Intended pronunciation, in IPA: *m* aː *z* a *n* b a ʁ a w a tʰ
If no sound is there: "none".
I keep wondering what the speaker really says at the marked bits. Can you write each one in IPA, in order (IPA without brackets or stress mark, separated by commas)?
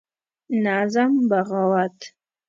n, z, m